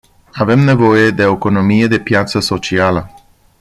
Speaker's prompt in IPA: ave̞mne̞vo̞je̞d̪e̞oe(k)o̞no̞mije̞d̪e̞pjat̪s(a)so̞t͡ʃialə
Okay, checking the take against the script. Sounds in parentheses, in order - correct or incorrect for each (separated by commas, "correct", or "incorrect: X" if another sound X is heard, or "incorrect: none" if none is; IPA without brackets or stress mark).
correct, incorrect: ə